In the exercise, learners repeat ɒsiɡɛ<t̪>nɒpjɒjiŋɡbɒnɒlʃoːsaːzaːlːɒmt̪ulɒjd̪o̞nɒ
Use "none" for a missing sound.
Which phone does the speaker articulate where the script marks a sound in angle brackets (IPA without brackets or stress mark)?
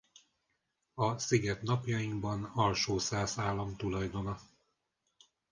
t̪